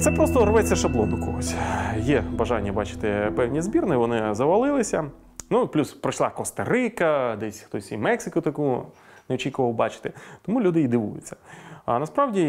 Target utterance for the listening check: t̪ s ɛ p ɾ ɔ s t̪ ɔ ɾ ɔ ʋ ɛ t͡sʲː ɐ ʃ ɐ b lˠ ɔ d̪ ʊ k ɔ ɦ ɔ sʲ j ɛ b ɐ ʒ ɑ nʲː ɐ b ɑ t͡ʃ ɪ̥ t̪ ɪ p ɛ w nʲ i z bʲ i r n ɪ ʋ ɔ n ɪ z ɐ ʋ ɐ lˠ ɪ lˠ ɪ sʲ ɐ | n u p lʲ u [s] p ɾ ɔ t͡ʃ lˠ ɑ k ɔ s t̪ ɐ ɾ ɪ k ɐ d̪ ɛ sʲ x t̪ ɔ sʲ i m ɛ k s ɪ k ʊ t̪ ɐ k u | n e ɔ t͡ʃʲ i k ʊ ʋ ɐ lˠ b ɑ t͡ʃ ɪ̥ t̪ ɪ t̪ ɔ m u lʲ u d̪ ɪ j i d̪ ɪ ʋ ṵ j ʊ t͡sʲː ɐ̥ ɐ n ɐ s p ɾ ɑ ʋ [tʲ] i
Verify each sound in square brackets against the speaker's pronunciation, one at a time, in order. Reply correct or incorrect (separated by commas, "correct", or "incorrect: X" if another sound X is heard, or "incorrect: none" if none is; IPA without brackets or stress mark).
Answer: correct, incorrect: dʲ